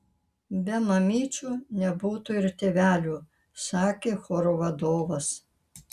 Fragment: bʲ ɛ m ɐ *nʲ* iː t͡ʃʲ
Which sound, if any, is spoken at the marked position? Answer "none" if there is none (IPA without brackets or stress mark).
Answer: mʲ